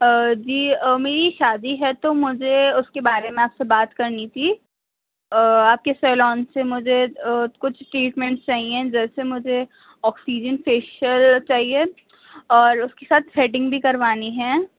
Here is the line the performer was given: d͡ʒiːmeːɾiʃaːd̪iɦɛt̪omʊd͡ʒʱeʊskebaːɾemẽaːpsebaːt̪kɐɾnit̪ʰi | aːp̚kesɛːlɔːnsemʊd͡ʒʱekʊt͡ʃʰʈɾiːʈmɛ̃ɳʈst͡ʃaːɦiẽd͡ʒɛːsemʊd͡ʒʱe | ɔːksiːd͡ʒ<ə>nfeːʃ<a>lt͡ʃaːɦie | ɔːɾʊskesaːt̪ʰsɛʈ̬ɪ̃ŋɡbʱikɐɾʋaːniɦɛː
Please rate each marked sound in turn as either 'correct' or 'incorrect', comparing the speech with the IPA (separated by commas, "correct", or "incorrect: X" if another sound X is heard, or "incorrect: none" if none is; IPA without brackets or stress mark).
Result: correct, incorrect: ə